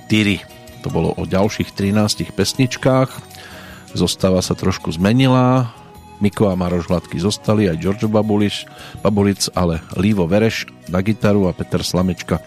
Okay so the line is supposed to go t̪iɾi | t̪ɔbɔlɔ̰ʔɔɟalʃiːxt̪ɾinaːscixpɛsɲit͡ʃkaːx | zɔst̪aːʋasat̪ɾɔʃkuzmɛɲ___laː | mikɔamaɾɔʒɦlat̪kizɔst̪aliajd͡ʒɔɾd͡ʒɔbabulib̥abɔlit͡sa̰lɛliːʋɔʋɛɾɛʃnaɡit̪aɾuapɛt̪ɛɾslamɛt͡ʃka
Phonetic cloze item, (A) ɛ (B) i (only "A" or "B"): B